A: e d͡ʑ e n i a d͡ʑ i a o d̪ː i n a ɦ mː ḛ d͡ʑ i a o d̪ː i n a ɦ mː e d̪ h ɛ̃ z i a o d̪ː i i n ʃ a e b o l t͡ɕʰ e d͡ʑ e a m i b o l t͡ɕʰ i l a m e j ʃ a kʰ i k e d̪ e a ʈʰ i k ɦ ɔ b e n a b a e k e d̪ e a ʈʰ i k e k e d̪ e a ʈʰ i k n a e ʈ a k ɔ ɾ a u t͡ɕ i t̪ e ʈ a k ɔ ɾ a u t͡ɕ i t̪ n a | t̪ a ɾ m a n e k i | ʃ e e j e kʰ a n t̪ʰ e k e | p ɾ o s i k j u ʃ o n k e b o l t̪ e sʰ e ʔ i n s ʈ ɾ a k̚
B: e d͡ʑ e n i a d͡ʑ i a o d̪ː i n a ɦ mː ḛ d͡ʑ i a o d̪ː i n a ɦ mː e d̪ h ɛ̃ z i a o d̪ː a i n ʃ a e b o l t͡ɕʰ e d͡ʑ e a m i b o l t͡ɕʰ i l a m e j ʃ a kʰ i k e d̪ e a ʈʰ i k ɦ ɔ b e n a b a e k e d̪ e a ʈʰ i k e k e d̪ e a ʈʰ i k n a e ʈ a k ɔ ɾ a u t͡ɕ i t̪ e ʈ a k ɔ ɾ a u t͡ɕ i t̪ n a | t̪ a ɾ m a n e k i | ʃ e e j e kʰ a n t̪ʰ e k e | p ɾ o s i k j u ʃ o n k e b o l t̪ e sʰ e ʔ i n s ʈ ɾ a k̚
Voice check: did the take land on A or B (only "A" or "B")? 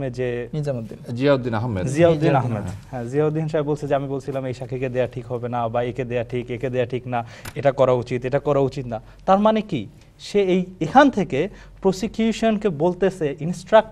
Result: A